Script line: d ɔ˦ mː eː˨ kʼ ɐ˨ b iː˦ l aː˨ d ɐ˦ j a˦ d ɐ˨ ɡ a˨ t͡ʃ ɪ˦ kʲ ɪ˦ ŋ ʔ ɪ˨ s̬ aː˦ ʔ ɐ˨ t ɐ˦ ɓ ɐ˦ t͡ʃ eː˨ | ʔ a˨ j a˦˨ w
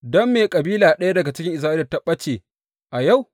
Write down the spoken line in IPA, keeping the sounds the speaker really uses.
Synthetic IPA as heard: d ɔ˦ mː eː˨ kʼ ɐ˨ b iː˦ l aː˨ ɗ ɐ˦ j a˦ d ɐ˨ ɡ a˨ t͡ʃ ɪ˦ kʲ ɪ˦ ŋ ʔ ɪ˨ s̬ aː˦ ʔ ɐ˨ t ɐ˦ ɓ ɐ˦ t͡ʃ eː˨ | ʔ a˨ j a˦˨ w